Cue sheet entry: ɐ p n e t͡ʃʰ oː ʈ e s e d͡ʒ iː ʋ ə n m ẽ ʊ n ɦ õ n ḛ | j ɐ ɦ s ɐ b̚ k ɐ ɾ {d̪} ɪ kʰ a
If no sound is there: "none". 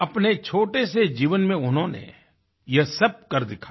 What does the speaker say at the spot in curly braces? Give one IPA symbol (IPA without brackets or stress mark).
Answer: d̪